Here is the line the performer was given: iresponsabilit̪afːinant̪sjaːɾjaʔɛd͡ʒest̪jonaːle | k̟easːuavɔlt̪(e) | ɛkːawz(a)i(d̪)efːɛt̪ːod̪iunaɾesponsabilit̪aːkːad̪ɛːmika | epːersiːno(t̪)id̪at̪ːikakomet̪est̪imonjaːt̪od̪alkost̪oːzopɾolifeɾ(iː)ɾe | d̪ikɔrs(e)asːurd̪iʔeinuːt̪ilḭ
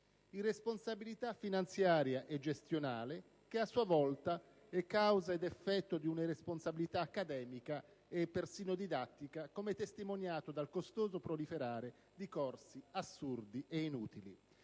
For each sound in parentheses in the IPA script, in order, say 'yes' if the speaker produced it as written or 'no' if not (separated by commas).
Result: no, yes, yes, no, no, no